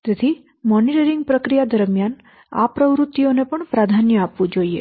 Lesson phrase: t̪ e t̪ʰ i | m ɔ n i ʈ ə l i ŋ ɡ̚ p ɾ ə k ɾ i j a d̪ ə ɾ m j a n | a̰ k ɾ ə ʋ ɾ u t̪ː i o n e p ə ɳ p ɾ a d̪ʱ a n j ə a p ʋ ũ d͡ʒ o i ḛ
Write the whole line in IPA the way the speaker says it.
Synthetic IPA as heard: t̪ e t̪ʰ i | m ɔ n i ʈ ə ɾ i ŋ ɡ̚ p ɾ ə k ɾ i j a d̪ ə ɾ m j a n | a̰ p ɾ ə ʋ ɾ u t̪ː i o n e p ə ɳ p ɾ a d̪ʱ a n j ə a p ʋ ũ d͡ʒ o i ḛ